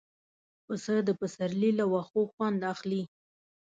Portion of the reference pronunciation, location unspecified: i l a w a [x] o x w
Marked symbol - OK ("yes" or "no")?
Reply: yes